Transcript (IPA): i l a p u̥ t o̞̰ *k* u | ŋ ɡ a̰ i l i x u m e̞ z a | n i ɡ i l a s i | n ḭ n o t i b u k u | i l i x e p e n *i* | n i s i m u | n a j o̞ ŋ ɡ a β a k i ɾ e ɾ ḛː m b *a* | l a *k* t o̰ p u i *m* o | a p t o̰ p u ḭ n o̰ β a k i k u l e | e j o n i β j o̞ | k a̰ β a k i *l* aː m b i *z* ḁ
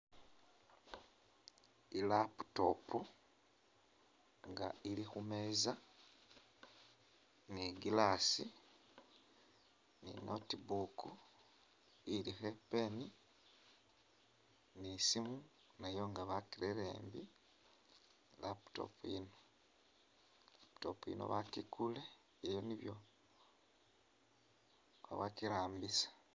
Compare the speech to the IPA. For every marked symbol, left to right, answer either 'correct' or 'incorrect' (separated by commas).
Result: incorrect, correct, incorrect, incorrect, incorrect, incorrect, incorrect